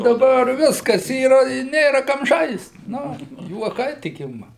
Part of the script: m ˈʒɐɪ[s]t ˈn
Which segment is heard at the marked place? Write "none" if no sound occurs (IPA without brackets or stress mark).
s